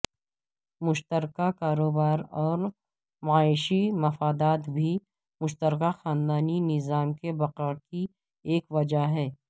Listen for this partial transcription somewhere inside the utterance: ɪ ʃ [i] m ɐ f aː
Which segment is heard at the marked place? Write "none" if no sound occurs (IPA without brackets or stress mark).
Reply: i